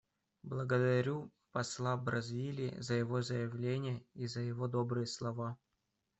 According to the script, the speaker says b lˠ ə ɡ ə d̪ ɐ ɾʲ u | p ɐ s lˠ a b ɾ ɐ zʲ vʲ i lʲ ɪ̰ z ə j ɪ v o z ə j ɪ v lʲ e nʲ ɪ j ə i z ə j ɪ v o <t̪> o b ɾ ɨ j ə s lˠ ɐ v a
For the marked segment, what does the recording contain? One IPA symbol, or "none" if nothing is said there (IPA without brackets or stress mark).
d̪